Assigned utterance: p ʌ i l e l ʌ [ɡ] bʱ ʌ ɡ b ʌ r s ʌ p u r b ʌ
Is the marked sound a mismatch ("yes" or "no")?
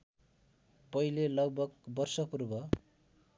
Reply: no